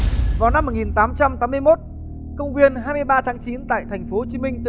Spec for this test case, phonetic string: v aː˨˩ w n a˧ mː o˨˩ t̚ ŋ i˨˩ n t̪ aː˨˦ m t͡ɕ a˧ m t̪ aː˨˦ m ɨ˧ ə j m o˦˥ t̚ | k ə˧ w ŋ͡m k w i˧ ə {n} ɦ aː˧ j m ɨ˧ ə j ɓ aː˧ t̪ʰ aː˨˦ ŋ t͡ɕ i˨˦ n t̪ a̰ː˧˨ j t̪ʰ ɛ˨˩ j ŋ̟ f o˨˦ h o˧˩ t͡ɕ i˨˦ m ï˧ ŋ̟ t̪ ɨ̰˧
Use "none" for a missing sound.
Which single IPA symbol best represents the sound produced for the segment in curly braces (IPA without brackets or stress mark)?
n